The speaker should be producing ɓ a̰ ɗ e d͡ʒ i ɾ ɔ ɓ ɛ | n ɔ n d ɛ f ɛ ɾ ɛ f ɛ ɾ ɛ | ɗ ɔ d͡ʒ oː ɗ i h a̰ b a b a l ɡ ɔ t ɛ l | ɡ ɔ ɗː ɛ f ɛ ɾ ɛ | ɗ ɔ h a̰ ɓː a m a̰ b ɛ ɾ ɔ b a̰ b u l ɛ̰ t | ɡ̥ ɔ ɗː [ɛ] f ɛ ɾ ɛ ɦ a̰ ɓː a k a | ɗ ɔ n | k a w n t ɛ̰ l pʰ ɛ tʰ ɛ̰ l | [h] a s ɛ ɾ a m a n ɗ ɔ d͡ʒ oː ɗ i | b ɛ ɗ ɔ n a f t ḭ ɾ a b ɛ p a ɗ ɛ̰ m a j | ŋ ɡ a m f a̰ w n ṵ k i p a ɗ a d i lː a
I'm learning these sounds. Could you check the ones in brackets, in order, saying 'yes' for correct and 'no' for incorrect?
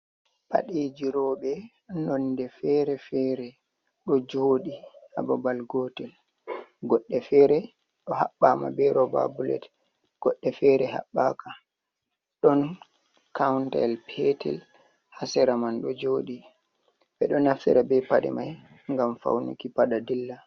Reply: yes, yes

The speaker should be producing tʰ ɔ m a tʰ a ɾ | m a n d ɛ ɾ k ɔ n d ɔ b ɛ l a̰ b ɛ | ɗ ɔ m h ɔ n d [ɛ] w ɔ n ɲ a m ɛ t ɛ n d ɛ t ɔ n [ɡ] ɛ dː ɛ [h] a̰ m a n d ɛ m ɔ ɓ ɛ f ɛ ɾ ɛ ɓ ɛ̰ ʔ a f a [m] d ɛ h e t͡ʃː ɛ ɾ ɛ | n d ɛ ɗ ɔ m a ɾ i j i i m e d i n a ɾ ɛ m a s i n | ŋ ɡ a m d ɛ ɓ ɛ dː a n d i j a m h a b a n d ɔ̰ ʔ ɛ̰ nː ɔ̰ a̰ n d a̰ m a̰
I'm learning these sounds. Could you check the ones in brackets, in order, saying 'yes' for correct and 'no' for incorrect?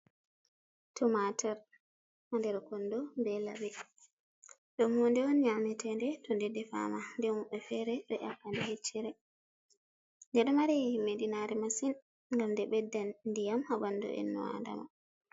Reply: yes, no, no, no

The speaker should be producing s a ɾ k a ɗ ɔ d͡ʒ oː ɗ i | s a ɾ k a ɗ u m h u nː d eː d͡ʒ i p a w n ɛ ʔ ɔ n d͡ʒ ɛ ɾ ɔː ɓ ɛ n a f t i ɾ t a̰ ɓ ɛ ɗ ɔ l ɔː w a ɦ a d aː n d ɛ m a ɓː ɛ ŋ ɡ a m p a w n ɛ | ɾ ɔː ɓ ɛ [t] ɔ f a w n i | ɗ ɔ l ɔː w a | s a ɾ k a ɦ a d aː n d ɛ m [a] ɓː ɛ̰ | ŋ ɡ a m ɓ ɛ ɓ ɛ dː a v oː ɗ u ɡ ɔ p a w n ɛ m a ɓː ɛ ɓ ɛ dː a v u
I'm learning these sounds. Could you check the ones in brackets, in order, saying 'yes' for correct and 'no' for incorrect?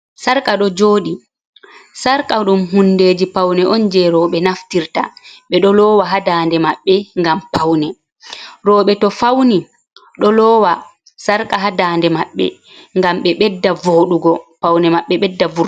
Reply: yes, yes

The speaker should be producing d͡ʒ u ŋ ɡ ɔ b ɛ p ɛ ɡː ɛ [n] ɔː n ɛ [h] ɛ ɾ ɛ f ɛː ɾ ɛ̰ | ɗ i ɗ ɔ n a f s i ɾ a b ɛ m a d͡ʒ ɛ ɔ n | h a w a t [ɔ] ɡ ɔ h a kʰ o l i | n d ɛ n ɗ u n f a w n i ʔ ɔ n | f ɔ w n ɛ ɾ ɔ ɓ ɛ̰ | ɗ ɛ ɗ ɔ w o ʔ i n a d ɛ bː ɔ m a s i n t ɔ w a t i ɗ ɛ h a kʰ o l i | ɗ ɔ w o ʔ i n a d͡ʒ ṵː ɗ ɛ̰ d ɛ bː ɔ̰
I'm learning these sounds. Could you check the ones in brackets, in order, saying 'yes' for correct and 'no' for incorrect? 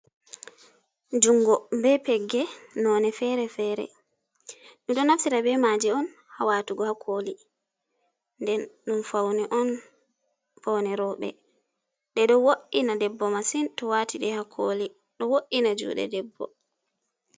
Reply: yes, no, no

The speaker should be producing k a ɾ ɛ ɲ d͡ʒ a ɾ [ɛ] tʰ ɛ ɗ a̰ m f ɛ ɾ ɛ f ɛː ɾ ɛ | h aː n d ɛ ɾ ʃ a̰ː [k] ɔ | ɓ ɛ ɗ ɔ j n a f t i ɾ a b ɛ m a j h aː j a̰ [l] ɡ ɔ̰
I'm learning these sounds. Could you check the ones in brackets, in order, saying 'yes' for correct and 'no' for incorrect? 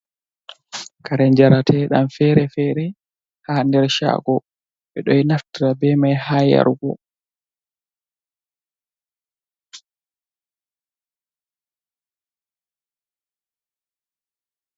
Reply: no, no, no

